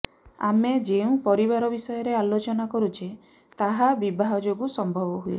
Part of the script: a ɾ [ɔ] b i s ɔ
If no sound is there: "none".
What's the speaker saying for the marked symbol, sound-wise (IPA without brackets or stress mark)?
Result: ɔ